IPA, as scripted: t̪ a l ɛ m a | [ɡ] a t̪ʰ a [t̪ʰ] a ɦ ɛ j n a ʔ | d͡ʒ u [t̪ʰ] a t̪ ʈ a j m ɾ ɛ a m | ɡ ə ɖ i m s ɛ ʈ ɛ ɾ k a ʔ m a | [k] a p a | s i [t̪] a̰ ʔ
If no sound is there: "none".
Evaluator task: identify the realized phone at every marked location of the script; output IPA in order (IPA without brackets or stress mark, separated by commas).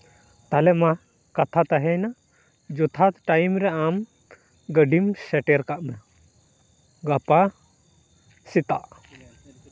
k, t̪, t̪ʰ, ɡ, t̪